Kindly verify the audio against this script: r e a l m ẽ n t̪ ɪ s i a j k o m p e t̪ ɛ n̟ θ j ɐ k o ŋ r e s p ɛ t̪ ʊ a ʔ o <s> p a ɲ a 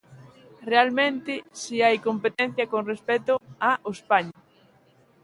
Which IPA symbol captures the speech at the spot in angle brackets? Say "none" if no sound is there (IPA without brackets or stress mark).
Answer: s